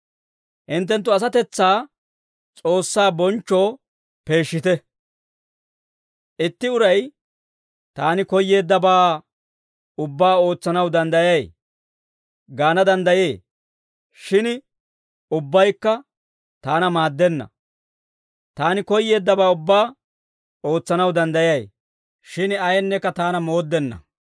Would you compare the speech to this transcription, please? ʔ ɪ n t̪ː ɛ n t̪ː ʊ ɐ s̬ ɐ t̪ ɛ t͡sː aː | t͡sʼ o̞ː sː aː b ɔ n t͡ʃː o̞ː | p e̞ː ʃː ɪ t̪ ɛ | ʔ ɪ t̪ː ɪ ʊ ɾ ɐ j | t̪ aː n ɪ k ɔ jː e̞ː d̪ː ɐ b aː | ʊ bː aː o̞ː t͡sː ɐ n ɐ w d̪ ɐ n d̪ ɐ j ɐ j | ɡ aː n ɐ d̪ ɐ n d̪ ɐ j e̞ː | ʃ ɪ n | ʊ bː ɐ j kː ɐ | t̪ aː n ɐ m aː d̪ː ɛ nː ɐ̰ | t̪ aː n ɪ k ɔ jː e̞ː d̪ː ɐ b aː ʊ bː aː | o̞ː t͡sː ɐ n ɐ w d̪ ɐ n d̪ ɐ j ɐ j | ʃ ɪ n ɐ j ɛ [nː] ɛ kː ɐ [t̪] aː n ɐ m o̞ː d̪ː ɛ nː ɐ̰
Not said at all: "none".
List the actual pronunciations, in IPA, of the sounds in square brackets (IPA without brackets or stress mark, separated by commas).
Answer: nː, t̪